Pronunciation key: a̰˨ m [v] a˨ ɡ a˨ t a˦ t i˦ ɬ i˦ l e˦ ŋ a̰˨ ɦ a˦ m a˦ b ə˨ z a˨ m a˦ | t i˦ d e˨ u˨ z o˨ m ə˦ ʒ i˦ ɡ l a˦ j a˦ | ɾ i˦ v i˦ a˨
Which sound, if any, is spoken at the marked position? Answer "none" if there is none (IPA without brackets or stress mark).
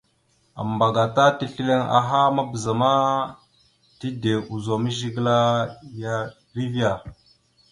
b